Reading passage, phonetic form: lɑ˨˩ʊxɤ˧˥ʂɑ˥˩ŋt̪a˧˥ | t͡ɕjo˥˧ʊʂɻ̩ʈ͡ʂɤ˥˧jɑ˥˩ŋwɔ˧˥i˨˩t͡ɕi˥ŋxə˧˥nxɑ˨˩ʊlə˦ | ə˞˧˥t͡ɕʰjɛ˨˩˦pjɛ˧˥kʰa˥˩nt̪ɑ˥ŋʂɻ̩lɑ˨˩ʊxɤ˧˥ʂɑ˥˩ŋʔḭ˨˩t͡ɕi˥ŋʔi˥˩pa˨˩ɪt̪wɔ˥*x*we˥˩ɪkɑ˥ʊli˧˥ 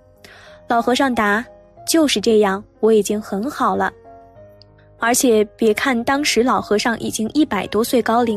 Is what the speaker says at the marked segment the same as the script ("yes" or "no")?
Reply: no